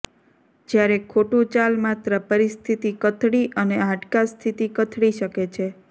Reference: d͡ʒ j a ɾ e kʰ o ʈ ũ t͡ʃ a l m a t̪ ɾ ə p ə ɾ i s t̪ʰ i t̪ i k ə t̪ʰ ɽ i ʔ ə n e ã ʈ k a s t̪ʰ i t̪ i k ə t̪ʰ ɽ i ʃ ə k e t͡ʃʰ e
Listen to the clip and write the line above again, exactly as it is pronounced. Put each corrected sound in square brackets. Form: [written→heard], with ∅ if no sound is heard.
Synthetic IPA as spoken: d͡ʒ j a ɾ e kʰ o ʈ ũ t͡ʃ a l m a t̪ ɾ ə p ə ɾ i s t̪ʰ i t̪ i k ə t̪ʰ ɽ i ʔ ə n e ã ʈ k a s t̪ʰ i t̪ i k ə t̪ʰ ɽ i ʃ ə k e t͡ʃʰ e

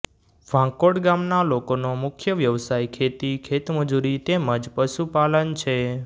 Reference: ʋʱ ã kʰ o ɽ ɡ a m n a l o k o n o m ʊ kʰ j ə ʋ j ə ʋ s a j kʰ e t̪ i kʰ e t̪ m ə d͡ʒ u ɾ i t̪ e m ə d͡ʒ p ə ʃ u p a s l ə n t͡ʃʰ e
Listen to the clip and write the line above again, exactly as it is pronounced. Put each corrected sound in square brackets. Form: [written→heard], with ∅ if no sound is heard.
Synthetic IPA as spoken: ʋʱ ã [kʰ→k] o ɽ ɡ a m n a l o k o n o m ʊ kʰ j ə ʋ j ə ʋ s a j kʰ e t̪ i kʰ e t̪ m ə d͡ʒ u ɾ i t̪ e m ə d͡ʒ p ə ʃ u p a [s→∅] l ə n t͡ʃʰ e

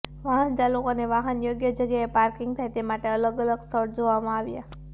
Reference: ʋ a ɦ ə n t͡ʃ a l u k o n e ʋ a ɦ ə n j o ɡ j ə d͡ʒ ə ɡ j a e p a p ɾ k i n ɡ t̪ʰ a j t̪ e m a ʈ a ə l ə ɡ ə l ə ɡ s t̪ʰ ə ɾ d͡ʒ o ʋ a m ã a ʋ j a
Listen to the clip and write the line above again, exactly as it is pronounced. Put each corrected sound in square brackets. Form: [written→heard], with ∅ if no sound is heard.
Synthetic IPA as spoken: ʋ a ɦ ə n t͡ʃ a l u k o n e ʋ a ɦ ə n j o ɡ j ə d͡ʒ ə ɡ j a e p a [p→∅] ɾ k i [n→ŋ] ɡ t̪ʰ a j t̪ e m a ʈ [a→e] ə l ə ɡ ə l ə ɡ s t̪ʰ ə ɾ d͡ʒ o ʋ a m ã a ʋ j a

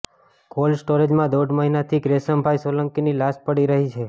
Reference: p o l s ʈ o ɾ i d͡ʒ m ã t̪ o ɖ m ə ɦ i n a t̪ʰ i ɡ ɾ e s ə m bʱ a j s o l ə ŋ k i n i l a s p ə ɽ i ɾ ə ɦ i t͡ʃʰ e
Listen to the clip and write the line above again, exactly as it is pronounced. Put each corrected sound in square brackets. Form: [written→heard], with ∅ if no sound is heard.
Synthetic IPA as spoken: [p→k] o l s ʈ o ɾ [i→e] d͡ʒ m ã [t̪→d̪] o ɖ m ə ɦ i n a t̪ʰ i ɡ ɾ e s ə m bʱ a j s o l ə ŋ k i n i l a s p ə ɽ i ɾ ə ɦ i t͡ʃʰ e

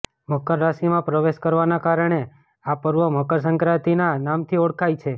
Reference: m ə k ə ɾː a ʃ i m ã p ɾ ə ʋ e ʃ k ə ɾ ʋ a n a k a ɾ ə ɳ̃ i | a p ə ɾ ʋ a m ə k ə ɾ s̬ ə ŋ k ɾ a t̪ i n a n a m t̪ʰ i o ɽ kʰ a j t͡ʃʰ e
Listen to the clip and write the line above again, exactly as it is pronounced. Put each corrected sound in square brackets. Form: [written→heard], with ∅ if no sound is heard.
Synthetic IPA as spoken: m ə k ə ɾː a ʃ i m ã p ɾ ə ʋ e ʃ k ə ɾ ʋ a n a k a ɾ ə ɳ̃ [i→e] | a p ə ɾ ʋ [a→ə] m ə k ə ɾ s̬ ə ŋ k ɾ a t̪ i n a n a m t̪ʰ i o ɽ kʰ a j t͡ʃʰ e

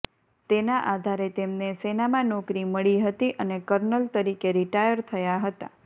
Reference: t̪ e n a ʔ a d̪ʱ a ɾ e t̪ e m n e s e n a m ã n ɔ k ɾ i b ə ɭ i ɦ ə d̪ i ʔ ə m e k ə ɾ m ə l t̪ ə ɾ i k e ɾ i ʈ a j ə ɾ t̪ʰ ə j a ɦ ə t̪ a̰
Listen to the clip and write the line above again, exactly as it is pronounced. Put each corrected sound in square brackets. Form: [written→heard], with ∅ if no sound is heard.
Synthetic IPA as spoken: t̪ e n a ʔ a d̪ʱ a ɾ e t̪ e m n e s e n a m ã n ɔ k ɾ i [b→m] ə ɭ i ɦ ə [d̪→t̪] i ʔ ə [m→n] e k ə ɾ [m→n] ə l t̪ ə ɾ i k e ɾ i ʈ a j ə ɾ t̪ʰ ə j a ɦ ə t̪ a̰

